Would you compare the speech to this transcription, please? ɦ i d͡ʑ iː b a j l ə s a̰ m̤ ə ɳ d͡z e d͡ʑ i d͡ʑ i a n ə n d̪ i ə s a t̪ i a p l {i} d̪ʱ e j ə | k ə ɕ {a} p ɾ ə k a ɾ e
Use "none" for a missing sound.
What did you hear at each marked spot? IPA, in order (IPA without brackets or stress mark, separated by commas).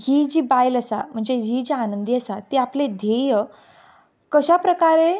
e, a